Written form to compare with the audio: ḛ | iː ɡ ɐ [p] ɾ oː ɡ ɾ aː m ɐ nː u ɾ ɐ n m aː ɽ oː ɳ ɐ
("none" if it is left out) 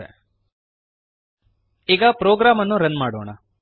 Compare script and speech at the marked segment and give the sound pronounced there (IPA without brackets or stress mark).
p